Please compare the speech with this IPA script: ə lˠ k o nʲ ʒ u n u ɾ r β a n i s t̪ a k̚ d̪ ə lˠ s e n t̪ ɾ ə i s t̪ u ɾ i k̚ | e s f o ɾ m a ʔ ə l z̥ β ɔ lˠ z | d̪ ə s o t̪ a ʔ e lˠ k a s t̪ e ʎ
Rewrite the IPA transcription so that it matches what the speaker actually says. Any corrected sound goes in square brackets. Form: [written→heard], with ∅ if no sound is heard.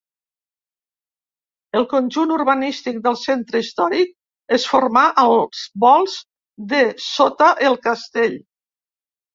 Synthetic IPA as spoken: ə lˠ k o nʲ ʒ u n u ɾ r β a n i s t̪ [a→i] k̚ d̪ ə lˠ s e n t̪ ɾ ə i s t̪ [u→ɔ] ɾ i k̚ | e s f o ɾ m a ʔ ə l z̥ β ɔ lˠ z | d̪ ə s o t̪ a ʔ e lˠ k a s t̪ e ʎ